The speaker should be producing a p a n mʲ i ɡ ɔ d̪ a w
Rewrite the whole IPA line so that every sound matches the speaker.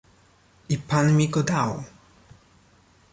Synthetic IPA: i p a n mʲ i ɡ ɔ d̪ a w

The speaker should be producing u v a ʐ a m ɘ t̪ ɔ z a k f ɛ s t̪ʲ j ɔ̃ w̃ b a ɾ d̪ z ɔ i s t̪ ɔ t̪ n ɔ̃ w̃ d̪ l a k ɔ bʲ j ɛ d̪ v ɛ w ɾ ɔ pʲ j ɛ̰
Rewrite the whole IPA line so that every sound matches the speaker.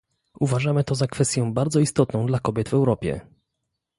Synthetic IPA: u v a ʐ a m ɘ t̪ ɔ z a k f ɛ s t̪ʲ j ɔ̃ w̃ b a ɾ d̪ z ɔ i s t̪ ɔ t̪ n ɔ̃ w̃ d̪ l a k ɔ bʲ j ɛ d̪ v ɛ w ɾ ɔ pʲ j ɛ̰

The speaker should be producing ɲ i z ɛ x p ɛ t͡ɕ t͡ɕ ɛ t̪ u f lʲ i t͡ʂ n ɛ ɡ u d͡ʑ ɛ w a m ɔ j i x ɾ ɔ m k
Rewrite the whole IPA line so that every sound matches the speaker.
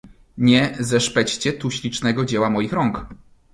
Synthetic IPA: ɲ ɛ z ɛ ʂ p ɛ t͡ɕ t͡ɕ ɛ t̪ u ɕ lʲ i t͡ʂ n ɛ ɡ ɔ d͡ʑ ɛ w a m ɔ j i x ɾ ɔ ŋ k

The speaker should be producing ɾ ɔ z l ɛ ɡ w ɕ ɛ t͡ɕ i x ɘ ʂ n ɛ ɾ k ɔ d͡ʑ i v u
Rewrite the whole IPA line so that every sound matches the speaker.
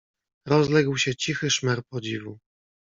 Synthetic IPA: ɾ ɔ z l ɛ ɡ w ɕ ɛ t͡ɕ i x ɘ ʂ m ɛ ɾ p ɔ d͡ʑ i v u

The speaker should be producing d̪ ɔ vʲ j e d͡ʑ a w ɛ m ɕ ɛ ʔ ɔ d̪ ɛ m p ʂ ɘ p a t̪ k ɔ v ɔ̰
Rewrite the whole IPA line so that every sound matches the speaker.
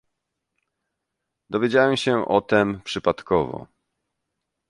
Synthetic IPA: d̪ ɔ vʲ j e d͡ʑ a w ɛ m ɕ ɛ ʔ ɔ t̪ ɛ m p ʂ ɘ p a t̪ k ɔ v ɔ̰

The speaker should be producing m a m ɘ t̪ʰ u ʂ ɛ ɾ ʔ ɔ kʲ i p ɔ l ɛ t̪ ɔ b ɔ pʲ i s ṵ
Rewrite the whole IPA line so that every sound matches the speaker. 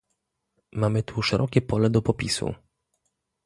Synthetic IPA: m a m ɘ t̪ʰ u ʂ ɛ ɾ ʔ ɔ kʲ ɛ p ɔ l ɛ d̪ ɔ p ɔ pʲ i s ṵ

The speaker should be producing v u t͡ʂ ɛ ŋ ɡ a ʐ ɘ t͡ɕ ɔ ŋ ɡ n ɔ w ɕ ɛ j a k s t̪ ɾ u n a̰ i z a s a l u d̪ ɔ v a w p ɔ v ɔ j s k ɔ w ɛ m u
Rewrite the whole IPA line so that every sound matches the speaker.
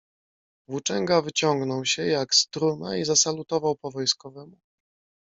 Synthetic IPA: v u t͡ʂ ɛ ŋ ɡ a v ɘ t͡ɕ ɔ ŋ ɡ n ɔ w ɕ ɛ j a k s t̪ ɾ u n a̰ i z a s a l u t̪ ɔ v a w p ɔ v ɔ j s k ɔ v ɛ m u

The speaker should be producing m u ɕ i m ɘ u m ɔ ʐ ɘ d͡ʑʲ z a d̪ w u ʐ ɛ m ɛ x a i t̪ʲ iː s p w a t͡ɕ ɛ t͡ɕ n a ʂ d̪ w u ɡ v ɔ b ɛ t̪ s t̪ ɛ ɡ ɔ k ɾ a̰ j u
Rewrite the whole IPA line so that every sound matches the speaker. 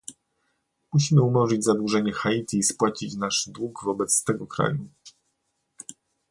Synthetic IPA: m u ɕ i m ɘ u m ɔ ʐ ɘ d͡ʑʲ z a d̪ w u ʐ ɛ ɲ ɛ x a i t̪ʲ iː s p w a t͡ɕ i t͡ɕ n a ʂ d̪ w u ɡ v ɔ b ɛ t̪ s t̪ ɛ ɡ ɔ k ɾ a̰ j u

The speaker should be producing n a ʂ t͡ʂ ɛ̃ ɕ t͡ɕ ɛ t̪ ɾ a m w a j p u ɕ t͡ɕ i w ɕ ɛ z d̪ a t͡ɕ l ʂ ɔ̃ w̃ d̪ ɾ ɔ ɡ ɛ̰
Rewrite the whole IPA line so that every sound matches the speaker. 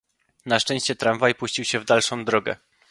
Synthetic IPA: n a ʂ t͡ʂ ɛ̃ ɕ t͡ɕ ɛ t̪ ɾ a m v a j p u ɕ t͡ɕ i w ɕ ɛ v d̪ a l ʂ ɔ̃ w̃ d̪ ɾ ɔ ɡ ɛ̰

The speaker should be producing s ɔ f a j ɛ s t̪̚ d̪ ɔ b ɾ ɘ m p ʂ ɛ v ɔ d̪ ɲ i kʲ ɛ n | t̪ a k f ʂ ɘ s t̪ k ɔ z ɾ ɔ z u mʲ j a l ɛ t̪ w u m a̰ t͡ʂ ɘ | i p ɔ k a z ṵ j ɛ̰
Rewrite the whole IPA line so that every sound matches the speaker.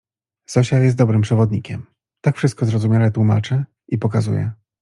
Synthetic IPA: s ɔ ɕ a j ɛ s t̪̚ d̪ ɔ b ɾ ɘ m p ʂ ɛ v ɔ d̪ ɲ i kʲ ɛ m | t̪ a k f ʂ ɘ s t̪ k ɔ z ɾ ɔ z u mʲ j a l ɛ t̪ w u m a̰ t͡ʂ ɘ | i p ɔ k a z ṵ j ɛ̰

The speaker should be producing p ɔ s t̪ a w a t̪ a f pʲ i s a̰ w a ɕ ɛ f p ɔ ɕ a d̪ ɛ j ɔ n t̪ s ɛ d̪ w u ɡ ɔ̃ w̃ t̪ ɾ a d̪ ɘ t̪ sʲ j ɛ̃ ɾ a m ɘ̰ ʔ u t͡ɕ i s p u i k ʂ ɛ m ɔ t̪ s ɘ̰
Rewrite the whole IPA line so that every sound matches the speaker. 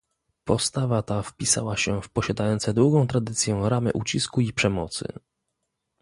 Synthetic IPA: p ɔ s t̪ a v a t̪ a f pʲ i s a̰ w a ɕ ɛ f p ɔ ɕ a d̪ a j ɔ n t̪ s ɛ d̪ w u ɡ ɔ̃ w̃ t̪ ɾ a d̪ ɘ t̪ sʲ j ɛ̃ ɾ a m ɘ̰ ʔ u t͡ɕ i s k u i p ʂ ɛ m ɔ t̪ s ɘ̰

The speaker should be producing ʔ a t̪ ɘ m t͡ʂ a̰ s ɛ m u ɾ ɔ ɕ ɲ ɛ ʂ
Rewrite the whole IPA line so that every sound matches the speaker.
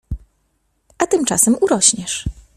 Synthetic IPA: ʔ a t̪ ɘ m t͡ʂ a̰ s ɛ m u ɾ ɔ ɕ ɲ ɛ ʂ

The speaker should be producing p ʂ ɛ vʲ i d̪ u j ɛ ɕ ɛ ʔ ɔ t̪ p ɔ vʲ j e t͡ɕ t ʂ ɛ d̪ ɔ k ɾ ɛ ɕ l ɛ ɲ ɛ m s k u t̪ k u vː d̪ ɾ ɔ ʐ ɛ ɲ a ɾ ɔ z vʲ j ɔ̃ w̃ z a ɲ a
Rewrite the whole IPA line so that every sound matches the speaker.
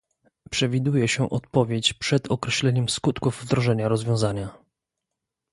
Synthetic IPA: p ʂ ɛ vʲ i d̪ u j ɛ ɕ ɛ ʔ ɔ t̪ p ɔ vʲ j e t͡ɕ p ʂ ɛ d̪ ɔ k ɾ ɛ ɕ l ɛ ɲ ɛ m s k u t̪ k u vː d̪ ɾ ɔ ʐ ɛ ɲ a ɾ ɔ z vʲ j ɔ̃ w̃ z a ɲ a

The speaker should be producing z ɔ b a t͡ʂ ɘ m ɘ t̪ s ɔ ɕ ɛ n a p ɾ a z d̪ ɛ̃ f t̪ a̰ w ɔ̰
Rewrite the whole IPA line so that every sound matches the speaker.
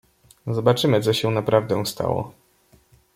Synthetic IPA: z ɔ b a t͡ʂ ɘ m ɘ t̪ s ɔ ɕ ɛ n a p ɾ a v d̪ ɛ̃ s t̪ a̰ w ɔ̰

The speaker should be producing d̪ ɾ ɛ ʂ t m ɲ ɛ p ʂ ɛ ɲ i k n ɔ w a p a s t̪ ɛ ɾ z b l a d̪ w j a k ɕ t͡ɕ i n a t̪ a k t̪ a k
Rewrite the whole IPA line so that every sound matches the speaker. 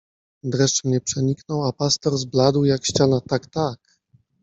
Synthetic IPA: d̪ ɾ ɛ ʂ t m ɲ ɛ p ʂ ɛ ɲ i k n ɔ w a p a s t̪ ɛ ɾ z b l a d̪ w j a k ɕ t͡ɕ a n a t̪ a k t̪ a k

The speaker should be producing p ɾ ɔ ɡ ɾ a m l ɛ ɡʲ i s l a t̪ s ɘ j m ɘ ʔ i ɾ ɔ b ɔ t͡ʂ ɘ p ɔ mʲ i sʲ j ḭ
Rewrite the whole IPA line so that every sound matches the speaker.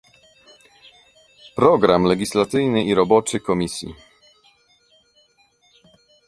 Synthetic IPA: p ɾ ɔ ɡ ɾ a m l ɛ ɡʲ i s l a t̪ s ɘ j n ɘ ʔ i ɾ ɔ b ɔ t͡ʂ ɘ k ɔ mʲ i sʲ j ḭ

